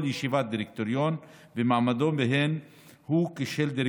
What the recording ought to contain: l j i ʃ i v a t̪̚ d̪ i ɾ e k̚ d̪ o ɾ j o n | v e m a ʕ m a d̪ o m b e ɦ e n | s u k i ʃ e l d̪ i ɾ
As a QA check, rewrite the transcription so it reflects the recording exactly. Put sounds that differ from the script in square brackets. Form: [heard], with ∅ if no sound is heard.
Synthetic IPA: l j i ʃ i v a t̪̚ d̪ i ɾ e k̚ [t̪] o ɾ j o n | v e m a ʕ m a d̪ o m b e ɦ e n | [h] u k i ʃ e l d̪ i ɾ